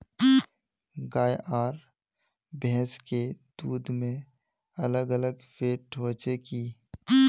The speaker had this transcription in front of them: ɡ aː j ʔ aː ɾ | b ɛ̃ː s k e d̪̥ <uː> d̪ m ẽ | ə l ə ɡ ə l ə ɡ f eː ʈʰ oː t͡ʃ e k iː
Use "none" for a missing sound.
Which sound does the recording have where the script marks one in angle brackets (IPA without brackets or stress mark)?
uː